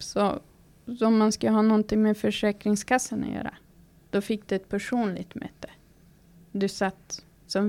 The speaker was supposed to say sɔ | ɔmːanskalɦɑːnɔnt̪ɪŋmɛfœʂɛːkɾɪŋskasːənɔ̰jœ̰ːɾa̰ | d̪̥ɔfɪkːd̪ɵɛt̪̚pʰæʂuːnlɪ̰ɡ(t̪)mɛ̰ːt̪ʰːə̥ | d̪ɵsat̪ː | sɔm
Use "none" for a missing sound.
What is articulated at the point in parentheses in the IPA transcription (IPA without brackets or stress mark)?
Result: t̪